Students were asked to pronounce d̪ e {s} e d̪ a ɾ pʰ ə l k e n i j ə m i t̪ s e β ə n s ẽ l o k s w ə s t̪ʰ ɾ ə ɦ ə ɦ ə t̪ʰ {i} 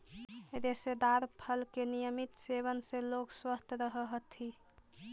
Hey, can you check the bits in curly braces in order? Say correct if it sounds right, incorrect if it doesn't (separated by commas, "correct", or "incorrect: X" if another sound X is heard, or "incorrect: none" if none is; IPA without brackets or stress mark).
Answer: correct, correct